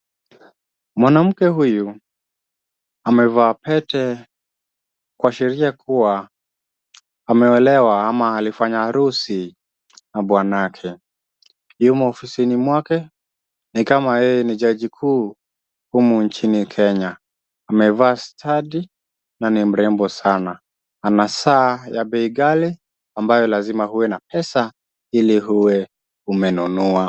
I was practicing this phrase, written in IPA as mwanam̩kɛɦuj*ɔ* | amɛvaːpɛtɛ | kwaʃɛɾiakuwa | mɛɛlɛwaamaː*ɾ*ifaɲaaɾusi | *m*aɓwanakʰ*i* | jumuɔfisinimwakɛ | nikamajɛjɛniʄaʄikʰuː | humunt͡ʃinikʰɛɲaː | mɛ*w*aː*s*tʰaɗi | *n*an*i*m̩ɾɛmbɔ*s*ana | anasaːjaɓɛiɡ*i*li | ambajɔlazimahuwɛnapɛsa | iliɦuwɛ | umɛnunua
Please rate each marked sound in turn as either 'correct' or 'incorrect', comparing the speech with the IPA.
incorrect, incorrect, incorrect, incorrect, incorrect, correct, correct, correct, correct, incorrect

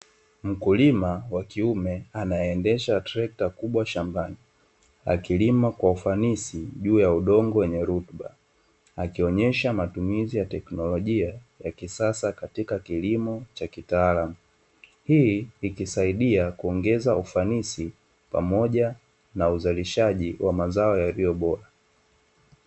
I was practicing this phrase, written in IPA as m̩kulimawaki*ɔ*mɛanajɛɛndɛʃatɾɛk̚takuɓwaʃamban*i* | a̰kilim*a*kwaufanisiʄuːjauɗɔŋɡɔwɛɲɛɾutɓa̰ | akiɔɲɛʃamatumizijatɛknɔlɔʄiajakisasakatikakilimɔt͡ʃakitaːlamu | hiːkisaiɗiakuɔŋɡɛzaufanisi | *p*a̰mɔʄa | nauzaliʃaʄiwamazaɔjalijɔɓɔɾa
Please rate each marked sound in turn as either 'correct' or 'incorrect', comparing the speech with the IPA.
incorrect, correct, correct, correct

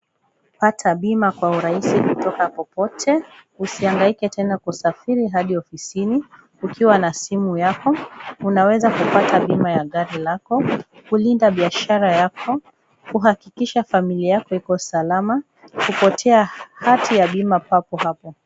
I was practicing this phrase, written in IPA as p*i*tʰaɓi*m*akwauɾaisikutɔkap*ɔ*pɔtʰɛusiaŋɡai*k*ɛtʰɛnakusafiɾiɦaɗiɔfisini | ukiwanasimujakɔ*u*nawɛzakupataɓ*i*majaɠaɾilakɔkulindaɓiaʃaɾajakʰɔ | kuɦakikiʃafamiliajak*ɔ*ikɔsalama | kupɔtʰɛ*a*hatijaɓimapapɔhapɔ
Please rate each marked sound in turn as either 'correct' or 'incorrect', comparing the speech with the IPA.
incorrect, correct, correct, correct, correct, correct, correct, correct

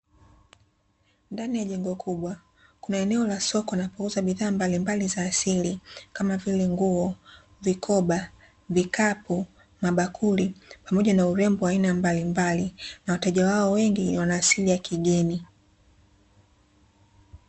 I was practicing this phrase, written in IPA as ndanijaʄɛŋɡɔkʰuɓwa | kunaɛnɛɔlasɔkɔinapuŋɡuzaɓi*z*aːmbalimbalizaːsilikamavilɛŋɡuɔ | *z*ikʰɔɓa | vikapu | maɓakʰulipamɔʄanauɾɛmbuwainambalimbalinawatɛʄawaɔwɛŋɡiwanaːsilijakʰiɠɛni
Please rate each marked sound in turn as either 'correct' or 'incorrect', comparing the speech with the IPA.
incorrect, incorrect

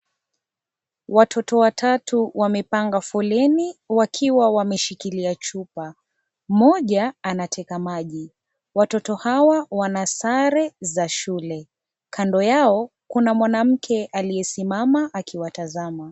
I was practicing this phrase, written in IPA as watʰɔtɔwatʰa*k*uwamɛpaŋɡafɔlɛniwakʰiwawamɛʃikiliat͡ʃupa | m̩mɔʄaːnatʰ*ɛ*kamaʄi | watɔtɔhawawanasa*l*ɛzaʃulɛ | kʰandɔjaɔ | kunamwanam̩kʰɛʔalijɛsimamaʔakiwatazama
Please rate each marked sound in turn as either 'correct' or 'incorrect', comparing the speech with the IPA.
incorrect, correct, incorrect

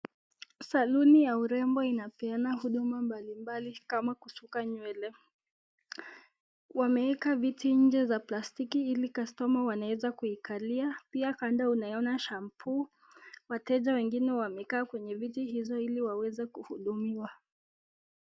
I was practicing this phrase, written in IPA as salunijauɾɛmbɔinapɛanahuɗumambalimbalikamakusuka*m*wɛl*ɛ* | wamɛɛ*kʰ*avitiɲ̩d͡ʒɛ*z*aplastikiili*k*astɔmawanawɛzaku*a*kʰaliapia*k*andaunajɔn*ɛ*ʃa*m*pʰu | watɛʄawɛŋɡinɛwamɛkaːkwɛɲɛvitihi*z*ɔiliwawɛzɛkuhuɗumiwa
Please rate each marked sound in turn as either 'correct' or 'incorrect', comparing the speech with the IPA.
incorrect, correct, incorrect, correct, correct, incorrect, correct, incorrect, correct, correct

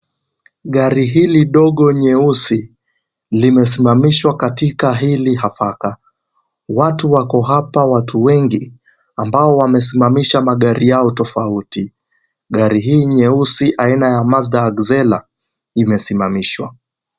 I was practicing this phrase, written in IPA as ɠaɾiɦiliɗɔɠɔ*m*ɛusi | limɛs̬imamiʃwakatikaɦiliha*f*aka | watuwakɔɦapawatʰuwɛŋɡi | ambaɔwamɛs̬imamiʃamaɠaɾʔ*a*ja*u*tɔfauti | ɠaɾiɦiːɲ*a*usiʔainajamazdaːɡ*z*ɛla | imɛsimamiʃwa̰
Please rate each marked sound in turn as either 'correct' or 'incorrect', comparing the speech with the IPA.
incorrect, correct, incorrect, incorrect, incorrect, correct

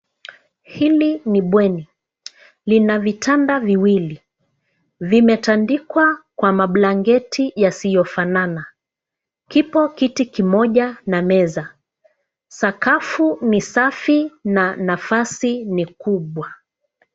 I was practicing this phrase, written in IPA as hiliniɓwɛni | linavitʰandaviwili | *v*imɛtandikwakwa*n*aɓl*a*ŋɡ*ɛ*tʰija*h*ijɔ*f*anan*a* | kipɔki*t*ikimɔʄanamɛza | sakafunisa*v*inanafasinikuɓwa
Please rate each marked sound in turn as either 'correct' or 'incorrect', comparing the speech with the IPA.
correct, incorrect, correct, correct, incorrect, correct, correct, correct, incorrect

